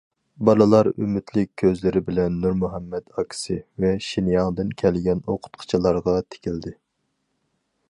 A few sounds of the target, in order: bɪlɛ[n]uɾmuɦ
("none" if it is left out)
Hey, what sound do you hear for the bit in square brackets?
nː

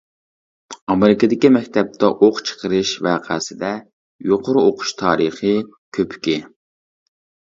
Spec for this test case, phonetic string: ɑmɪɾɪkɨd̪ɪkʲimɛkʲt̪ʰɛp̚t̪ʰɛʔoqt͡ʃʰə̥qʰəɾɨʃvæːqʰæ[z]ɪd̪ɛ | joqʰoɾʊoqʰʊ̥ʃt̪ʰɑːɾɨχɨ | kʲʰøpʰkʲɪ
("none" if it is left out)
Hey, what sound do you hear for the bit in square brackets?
s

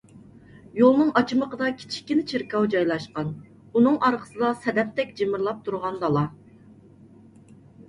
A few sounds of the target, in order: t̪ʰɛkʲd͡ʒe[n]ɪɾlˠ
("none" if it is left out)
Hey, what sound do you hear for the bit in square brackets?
m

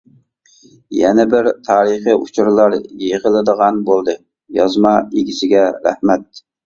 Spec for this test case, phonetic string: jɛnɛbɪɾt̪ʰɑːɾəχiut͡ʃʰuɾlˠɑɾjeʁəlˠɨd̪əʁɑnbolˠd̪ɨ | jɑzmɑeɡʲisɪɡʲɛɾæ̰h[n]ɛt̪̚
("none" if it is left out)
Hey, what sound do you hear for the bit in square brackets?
m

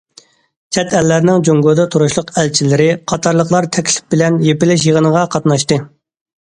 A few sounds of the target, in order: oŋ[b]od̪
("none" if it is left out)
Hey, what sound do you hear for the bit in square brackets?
ɡ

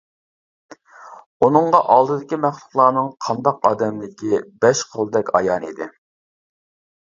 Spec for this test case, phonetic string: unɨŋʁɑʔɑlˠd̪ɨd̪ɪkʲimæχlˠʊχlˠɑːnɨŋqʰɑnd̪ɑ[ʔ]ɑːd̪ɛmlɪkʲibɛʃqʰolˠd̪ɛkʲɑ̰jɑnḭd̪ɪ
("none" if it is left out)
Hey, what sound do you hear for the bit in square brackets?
q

